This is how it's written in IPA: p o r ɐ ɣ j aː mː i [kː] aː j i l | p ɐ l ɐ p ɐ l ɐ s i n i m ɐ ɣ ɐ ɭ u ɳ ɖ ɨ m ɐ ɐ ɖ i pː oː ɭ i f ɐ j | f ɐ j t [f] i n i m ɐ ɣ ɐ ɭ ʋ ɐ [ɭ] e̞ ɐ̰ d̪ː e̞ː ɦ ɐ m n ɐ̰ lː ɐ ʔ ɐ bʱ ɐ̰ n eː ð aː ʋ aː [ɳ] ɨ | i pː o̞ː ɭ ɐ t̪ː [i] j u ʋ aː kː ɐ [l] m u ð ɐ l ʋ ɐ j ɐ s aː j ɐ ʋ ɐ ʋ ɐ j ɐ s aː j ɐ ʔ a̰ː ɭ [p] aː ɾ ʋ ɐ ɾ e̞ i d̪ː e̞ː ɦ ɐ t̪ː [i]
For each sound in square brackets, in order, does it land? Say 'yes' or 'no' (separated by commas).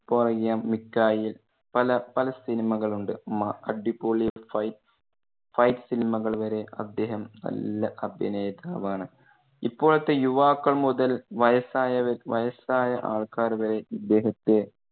yes, no, no, yes, no, no, no, no